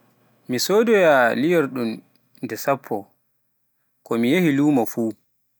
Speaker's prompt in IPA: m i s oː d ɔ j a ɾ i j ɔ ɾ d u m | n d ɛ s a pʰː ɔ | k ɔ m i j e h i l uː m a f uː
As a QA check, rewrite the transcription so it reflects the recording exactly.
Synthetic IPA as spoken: m i s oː d ɔ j a l i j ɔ ɾ ɗ u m | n d ɛ s a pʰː ɔ | k ɔ m i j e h i l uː m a f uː